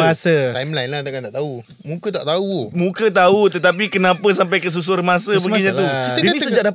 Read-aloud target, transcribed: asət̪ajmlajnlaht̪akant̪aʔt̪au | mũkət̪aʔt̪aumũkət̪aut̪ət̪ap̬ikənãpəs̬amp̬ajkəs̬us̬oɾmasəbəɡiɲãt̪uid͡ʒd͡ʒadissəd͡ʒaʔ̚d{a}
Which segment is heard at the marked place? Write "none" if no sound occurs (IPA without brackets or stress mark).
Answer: a